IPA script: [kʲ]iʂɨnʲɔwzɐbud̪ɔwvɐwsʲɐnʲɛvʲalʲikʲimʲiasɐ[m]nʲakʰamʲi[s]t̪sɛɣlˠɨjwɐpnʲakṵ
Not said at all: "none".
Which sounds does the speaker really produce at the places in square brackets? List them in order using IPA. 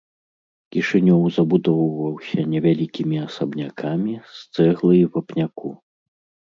kʲ, b, s

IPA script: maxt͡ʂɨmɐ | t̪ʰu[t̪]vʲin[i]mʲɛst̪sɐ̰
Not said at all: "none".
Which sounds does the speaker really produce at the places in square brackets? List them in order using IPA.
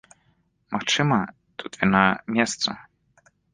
t̪, a

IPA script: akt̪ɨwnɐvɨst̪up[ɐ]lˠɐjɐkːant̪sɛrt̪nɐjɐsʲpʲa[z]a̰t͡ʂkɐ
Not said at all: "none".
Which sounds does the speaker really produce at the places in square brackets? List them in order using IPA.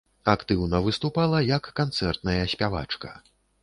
a, v

